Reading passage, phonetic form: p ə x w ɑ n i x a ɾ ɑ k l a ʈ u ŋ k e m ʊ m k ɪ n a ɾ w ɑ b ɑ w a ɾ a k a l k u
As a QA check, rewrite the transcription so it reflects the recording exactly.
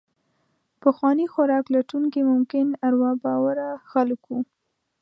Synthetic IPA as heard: p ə x w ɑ n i x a ɾ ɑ k l a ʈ u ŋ k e m ʊ m k ɪ n a ɾ w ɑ b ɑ w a ɾ a x a l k u